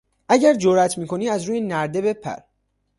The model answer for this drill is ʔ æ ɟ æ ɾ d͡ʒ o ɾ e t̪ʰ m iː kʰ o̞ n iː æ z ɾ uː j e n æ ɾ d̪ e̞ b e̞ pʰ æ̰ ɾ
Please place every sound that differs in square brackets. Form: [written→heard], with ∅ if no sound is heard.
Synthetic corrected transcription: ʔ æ ɟ æ ɾ d͡ʒ o ɾ [e→æ] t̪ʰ m iː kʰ o̞ n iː æ z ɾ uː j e n æ ɾ d̪ e̞ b e̞ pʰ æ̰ ɾ